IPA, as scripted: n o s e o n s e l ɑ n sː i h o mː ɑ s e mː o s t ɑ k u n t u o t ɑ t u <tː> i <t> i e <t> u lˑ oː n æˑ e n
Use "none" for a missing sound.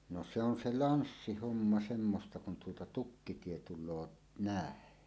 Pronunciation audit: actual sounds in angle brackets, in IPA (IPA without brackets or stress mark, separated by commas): kː, t, t